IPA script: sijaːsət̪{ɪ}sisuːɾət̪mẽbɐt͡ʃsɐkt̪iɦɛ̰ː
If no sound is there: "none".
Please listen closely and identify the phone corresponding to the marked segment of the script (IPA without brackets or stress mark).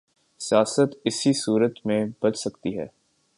ɪ